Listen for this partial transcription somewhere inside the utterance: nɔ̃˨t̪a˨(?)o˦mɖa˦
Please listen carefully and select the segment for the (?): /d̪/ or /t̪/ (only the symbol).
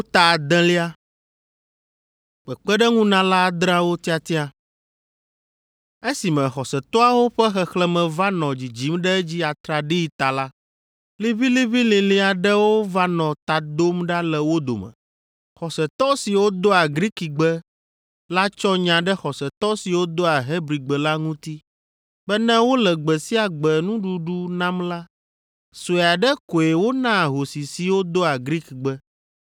d̪